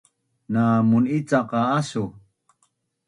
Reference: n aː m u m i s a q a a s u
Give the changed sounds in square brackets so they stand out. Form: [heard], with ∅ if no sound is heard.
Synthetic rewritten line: n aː m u [n] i [t͡s] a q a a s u